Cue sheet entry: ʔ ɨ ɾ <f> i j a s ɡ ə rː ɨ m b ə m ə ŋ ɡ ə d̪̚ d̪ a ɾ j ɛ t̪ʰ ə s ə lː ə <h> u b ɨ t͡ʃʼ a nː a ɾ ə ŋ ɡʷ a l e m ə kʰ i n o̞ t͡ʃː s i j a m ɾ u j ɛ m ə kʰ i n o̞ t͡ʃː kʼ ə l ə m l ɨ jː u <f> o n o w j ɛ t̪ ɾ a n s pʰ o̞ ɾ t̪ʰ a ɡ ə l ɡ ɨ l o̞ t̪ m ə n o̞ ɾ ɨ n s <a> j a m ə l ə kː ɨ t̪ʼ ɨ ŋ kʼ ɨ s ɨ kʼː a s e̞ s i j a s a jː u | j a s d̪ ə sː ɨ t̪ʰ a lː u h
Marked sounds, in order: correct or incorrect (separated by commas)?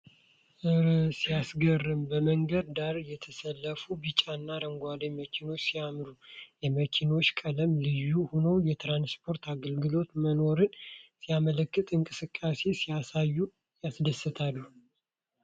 incorrect, incorrect, incorrect, incorrect